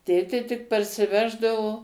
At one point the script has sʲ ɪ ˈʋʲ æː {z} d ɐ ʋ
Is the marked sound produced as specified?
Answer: no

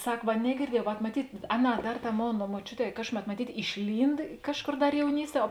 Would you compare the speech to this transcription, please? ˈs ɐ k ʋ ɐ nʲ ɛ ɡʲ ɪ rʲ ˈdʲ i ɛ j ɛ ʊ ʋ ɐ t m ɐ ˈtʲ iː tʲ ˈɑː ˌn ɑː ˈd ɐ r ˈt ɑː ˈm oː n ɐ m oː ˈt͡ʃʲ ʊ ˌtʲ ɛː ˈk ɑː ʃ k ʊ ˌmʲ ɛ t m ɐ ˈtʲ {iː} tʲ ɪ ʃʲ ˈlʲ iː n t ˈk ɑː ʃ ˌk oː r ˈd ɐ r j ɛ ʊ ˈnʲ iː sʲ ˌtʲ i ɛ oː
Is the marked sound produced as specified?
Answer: yes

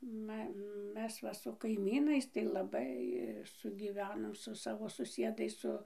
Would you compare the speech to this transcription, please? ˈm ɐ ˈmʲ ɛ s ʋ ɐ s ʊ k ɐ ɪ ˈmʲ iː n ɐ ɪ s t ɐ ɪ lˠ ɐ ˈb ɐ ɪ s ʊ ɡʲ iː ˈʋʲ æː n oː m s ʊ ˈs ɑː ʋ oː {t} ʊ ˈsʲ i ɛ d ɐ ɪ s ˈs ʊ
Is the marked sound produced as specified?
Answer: no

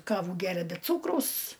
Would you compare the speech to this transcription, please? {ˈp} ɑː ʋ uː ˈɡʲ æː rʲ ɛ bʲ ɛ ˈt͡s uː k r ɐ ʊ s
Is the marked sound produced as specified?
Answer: no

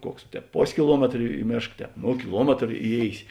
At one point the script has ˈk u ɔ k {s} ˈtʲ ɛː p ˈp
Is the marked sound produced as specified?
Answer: yes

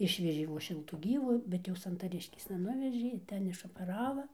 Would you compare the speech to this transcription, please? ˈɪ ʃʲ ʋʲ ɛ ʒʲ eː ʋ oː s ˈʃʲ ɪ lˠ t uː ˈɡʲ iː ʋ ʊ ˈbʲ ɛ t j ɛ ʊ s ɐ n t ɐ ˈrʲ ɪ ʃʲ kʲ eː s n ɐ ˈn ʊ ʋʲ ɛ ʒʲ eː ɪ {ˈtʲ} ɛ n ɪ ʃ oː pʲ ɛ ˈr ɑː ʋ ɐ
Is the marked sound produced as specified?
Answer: yes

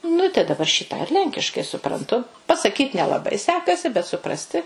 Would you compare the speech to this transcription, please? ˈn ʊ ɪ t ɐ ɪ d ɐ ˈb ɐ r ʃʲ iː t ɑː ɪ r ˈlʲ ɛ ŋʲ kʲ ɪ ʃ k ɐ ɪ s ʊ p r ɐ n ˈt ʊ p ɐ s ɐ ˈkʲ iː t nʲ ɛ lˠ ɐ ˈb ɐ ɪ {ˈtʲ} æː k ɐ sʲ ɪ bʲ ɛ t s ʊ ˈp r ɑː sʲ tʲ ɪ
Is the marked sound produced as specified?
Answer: no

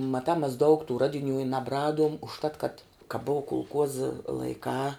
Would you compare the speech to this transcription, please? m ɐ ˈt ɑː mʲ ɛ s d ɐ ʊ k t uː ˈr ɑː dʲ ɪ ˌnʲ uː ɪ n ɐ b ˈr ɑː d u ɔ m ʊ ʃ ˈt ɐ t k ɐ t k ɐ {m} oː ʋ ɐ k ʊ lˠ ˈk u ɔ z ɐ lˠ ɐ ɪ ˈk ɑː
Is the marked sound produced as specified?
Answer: no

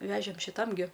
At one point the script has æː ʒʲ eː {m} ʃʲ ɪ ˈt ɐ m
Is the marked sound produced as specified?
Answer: yes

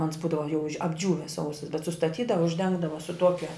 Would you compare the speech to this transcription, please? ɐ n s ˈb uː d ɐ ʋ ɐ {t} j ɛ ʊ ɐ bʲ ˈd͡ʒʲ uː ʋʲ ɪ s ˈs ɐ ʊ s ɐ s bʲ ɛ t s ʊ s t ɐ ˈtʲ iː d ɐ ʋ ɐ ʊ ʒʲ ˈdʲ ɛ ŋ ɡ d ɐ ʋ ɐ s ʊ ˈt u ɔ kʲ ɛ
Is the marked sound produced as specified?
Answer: no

